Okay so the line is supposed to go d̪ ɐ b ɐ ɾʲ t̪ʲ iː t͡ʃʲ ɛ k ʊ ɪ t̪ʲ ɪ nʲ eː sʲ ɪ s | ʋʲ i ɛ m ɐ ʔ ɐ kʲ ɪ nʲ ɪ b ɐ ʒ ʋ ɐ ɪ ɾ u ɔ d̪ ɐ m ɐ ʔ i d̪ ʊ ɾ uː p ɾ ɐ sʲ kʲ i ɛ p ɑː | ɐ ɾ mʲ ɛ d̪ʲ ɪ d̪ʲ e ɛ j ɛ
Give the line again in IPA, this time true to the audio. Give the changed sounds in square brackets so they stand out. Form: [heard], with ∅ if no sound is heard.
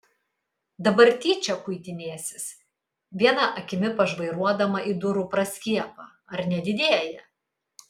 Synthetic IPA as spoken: d̪ ɐ b ɐ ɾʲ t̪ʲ iː t͡ʃʲ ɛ k ʊ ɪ t̪ʲ ɪ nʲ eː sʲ ɪ s | ʋʲ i ɛ [n] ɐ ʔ ɐ kʲ ɪ [mʲ] ɪ [p] ɐ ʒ ʋ ɐ ɪ ɾ u ɔ d̪ ɐ m ɐ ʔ i d̪ ʊ ɾ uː p ɾ ɐ sʲ kʲ i ɛ p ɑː | ɐ ɾ [nʲ] ɛ d̪ʲ ɪ d̪ʲ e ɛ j ɛ